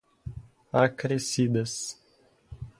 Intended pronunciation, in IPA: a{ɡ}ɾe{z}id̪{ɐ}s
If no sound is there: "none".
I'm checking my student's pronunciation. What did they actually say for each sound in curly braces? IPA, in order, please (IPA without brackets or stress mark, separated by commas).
k, s, ɐ